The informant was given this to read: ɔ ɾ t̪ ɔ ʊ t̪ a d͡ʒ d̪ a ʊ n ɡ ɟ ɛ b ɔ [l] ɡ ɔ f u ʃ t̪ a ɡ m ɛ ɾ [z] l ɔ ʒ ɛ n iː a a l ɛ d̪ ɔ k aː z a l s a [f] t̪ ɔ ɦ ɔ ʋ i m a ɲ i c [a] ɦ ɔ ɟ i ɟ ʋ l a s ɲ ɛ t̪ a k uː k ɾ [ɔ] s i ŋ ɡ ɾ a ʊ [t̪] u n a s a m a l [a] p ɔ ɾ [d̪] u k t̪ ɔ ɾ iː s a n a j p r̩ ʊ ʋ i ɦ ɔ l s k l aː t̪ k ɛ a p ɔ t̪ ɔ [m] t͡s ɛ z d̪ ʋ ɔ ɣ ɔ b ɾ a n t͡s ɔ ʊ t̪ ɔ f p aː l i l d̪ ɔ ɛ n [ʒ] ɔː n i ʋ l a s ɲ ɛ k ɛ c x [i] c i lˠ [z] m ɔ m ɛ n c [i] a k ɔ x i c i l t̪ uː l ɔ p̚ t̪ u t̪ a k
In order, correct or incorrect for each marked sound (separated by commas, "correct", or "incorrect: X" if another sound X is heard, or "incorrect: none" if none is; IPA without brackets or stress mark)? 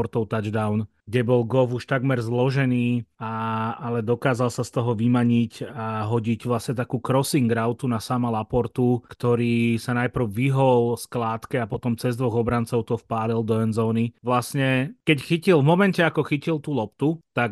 correct, correct, incorrect: s, correct, correct, correct, correct, incorrect: t̪, correct, incorrect: z, correct, incorrect: v, incorrect: ɛ